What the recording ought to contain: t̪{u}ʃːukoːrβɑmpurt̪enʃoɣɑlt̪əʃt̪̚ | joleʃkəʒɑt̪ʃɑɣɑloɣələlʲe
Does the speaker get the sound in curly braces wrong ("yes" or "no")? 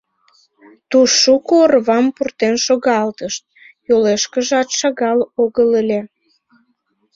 no